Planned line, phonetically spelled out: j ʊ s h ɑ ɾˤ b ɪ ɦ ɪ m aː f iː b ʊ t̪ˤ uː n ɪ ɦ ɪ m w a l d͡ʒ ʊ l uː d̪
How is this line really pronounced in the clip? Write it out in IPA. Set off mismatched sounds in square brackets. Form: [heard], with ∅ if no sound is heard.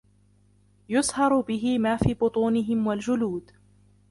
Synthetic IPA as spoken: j ʊ s h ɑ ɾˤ b ɪ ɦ ɪ m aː f iː b ʊ t̪ˤ uː n ɪ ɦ ɪ m w a l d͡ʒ ʊ l uː d̪